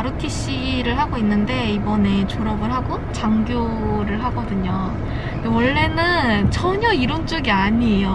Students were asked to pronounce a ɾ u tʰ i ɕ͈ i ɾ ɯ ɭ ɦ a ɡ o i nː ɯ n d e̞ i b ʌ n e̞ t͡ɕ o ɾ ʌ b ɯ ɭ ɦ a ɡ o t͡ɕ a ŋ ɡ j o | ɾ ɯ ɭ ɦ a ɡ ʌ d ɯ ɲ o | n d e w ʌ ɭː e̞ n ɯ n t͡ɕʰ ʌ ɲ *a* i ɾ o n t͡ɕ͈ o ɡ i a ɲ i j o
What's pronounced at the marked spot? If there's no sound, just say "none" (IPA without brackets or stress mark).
ʌ